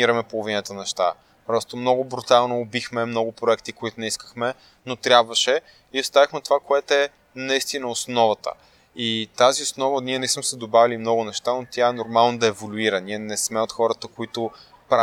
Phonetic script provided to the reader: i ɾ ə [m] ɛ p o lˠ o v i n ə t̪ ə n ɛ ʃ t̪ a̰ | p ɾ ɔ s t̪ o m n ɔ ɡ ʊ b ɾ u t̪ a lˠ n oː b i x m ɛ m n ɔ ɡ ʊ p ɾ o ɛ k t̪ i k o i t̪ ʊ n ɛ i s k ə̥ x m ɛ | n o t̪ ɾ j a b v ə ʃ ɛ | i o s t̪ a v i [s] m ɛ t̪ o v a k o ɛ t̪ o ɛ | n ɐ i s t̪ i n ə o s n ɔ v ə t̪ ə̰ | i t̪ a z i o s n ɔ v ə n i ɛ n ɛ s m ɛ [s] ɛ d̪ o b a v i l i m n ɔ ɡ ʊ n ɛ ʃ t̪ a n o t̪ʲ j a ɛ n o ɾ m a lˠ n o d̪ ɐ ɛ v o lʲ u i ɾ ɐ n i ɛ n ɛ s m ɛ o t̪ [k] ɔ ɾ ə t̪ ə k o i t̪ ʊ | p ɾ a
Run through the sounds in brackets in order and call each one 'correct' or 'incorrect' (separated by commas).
correct, incorrect, correct, incorrect